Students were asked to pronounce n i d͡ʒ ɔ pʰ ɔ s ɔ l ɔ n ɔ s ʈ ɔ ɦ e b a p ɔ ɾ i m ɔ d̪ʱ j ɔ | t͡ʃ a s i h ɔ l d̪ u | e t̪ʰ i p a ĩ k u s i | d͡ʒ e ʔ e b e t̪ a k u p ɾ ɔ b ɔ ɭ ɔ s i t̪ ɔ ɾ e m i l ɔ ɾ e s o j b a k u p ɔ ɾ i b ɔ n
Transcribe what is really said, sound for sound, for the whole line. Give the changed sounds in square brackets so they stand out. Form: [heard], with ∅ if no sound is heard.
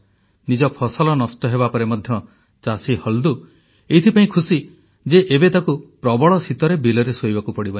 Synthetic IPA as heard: n i d͡ʒ ɔ pʰ ɔ s ɔ l ɔ n ɔ s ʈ ɔ ɦ e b a p ɔ ɾ [e] m ɔ d̪ʱ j ɔ | t͡ʃ a s i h ɔ l d̪ u | e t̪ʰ i p a ĩ [kʰ] u s i | d͡ʒ e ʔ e b e t̪ a k u p ɾ ɔ b ɔ ɭ ɔ s i t̪ ɔ ɾ e [b] i l ɔ ɾ e s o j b a k u p ɔ [ɽ] i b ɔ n